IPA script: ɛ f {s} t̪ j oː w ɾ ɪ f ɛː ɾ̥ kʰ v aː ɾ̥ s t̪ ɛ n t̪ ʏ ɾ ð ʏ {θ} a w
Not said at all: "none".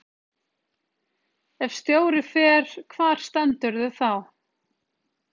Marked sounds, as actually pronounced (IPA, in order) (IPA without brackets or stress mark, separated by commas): s, θ